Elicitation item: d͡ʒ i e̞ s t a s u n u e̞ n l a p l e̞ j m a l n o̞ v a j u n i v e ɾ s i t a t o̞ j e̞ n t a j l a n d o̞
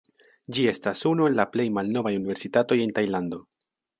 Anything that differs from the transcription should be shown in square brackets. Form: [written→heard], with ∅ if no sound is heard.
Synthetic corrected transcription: d͡ʒ i e̞ s t a s u n u e̞ n l a p l e̞ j m a l n o̞ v a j u n i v e ɾ s i t a t o̞ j e̞ n t a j l a n d o̞

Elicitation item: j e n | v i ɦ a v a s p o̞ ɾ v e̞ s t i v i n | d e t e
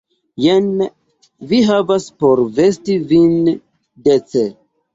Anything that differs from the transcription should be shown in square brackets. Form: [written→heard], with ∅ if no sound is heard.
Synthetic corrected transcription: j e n | v i ɦ a v a s p o̞ ɾ v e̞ s t i v i n | d e [t→t͡s] e

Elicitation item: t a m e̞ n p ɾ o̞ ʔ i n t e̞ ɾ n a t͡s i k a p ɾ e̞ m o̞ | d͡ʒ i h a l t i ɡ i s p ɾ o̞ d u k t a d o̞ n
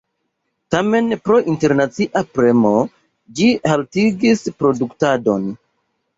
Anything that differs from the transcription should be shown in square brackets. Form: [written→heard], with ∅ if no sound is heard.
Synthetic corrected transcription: t a m e̞ n p ɾ o̞ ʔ i n t e̞ ɾ n a t͡s i [k→ʔ] a p ɾ e̞ m o̞ | d͡ʒ i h a l t i ɡ i s p ɾ o̞ d u k t a d o̞ n

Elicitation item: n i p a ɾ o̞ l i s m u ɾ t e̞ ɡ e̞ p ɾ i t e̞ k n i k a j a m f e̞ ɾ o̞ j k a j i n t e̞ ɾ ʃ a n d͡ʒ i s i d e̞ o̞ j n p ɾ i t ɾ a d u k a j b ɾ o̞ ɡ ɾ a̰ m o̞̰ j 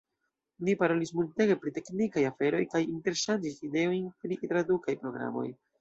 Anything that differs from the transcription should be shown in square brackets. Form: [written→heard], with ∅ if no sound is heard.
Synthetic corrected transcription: n i p a ɾ o̞ l i s m u [ɾ→l] t e̞ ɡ e̞ p ɾ i t e̞ k n i k a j a [m→∅] f e̞ ɾ o̞ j k a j i n t e̞ ɾ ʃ a n d͡ʒ i s i d e̞ o̞ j n p ɾ i t ɾ a d u k a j [b→p] ɾ o̞ ɡ ɾ a̰ m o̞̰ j

